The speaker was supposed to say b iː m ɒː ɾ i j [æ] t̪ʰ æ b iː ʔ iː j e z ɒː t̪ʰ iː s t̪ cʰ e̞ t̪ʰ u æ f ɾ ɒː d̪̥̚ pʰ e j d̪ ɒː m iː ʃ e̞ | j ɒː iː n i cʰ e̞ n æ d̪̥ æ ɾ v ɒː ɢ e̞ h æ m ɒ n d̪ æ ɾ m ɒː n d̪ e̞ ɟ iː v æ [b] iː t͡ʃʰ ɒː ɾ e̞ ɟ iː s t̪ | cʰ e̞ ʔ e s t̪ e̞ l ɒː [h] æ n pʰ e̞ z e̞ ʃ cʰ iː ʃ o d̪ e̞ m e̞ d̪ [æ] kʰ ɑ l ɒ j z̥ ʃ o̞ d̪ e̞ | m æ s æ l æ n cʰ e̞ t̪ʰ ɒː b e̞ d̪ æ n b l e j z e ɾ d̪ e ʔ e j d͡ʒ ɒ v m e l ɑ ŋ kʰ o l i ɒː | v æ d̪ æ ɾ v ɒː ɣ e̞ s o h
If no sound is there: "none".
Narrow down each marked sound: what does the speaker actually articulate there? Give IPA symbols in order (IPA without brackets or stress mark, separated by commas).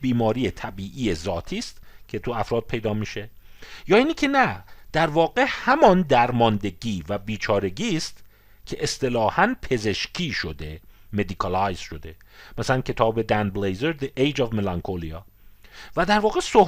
e, b, h, i